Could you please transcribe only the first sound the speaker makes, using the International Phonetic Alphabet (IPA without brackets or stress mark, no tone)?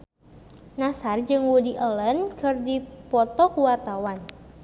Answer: n